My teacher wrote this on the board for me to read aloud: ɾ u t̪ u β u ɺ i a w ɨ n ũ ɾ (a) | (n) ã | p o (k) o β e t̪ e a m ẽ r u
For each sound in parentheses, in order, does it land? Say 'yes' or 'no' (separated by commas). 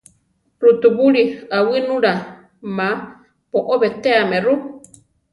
yes, no, no